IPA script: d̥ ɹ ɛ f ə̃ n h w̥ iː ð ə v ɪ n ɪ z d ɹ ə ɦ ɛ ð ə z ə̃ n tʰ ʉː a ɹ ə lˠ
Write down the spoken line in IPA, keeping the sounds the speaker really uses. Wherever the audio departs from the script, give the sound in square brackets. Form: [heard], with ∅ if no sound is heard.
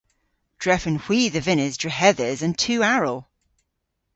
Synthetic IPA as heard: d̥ ɹ ɛ f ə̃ n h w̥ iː ð ə v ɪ n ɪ z d ɹ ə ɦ ɛ ð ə z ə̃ n tʰ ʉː a ɹ ə lˠ